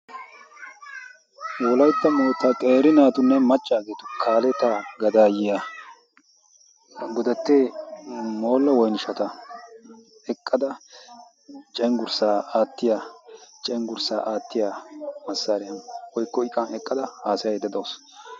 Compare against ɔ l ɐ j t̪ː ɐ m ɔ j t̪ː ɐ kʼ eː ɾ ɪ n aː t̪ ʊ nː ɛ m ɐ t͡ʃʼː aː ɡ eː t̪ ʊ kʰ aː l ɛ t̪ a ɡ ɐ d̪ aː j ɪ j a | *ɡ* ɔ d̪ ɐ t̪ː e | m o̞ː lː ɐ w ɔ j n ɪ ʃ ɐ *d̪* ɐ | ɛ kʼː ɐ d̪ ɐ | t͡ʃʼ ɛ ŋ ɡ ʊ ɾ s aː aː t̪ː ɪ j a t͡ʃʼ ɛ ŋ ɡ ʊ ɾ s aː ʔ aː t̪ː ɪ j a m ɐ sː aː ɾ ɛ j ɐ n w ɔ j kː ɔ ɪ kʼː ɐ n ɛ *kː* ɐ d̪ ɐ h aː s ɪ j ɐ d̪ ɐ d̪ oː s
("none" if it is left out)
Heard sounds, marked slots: ɡ, t̪, kʼː

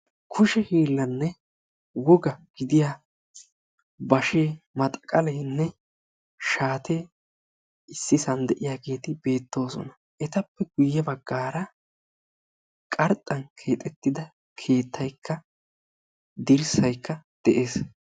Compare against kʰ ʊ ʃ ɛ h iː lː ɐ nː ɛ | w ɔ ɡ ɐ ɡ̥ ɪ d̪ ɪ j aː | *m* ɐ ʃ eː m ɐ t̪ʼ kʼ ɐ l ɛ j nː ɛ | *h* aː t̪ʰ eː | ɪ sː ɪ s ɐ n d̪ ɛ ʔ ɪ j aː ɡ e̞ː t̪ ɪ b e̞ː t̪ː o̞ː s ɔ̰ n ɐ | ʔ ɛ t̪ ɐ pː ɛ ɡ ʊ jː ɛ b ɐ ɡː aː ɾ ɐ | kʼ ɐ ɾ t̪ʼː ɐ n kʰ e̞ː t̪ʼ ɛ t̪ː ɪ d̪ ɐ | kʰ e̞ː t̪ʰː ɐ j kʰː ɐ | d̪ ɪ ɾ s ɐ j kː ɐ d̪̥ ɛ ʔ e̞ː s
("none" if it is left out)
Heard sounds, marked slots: b, ʃ

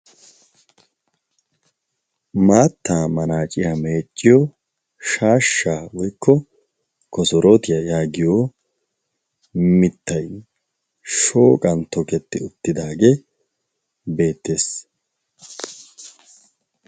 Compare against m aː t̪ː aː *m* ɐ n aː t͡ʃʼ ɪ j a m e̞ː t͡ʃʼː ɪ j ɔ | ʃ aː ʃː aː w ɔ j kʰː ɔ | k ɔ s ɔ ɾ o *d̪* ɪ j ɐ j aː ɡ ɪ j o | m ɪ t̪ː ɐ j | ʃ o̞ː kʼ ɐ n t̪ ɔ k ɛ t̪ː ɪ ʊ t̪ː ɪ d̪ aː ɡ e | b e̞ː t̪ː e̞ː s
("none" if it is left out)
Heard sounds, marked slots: m, t̪

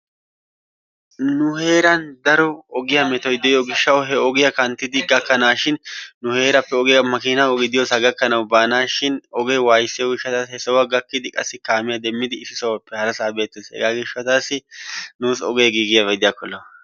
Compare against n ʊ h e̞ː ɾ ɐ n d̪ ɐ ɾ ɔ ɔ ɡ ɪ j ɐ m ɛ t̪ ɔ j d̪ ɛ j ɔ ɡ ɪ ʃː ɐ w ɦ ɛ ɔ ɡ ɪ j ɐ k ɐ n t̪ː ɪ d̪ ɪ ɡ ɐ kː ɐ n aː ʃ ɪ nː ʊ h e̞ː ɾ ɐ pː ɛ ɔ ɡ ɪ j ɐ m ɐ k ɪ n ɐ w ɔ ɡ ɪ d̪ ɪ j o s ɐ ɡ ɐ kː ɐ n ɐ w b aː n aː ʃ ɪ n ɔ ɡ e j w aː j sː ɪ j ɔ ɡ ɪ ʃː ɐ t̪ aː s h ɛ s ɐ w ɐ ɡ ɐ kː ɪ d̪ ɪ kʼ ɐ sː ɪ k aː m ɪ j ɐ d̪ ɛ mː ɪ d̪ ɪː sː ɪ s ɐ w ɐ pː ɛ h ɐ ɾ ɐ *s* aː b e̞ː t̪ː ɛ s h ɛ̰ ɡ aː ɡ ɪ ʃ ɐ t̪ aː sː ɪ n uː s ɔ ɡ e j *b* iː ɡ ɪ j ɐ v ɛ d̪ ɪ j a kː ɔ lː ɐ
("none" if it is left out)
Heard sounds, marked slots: s, ɡ

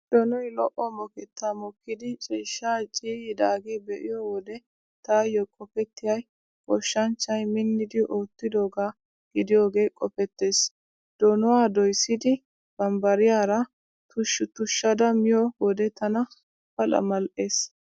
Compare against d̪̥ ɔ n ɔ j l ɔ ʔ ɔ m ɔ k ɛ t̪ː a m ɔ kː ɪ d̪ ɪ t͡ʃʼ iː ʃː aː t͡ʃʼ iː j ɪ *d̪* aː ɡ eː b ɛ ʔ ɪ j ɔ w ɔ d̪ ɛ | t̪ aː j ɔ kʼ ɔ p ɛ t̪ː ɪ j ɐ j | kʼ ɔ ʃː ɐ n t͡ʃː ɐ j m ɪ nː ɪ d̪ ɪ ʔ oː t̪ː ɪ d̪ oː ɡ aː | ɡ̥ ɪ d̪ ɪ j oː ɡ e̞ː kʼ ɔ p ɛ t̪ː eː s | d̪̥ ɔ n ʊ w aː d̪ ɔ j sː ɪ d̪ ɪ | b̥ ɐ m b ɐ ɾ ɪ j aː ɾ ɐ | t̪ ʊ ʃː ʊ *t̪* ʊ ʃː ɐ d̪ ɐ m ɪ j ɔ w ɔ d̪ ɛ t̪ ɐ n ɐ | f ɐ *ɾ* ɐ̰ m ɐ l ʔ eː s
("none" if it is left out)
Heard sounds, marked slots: d̪, t̪, l

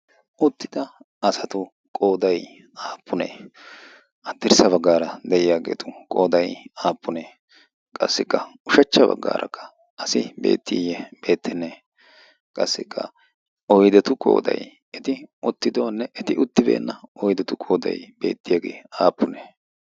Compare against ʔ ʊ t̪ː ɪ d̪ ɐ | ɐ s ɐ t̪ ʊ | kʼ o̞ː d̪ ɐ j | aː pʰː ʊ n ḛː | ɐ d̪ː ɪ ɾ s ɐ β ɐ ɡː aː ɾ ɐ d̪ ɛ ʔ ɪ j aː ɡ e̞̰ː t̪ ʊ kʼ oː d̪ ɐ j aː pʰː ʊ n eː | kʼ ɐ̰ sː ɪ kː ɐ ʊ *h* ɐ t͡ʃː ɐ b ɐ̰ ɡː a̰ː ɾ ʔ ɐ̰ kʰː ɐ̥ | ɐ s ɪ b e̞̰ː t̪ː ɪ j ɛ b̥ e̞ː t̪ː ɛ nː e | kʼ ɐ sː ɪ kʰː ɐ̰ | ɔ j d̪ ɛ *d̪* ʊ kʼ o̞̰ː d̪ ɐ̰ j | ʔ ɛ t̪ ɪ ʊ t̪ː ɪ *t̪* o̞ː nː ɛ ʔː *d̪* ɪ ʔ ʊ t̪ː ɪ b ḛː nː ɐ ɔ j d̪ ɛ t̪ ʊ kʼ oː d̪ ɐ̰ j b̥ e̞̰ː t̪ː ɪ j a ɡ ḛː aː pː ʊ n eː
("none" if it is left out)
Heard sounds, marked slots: ʃ, t̪, d̪, t̪

